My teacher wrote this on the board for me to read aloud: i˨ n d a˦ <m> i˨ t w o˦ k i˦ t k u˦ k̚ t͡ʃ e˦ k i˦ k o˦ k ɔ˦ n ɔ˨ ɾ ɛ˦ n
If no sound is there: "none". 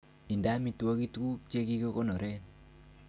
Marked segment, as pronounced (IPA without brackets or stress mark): m